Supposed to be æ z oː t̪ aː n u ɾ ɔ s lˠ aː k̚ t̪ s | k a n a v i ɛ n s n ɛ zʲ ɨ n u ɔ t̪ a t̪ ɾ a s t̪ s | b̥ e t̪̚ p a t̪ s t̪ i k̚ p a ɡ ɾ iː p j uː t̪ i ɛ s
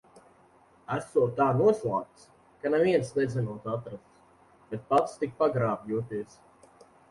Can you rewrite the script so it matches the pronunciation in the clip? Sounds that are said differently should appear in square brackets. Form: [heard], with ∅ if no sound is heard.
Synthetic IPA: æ [s] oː t̪ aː n u [∅] ɔ s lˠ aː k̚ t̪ s | k a n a v i ɛ n s n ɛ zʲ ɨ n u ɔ t̪ a t̪ ɾ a s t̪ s | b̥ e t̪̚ p a t̪ s t̪ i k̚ p a ɡ ɾ [aː] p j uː t̪ i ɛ s